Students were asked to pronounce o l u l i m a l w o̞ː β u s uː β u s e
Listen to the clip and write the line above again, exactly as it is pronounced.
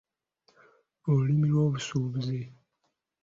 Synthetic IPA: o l u l i m i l w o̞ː β u s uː β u z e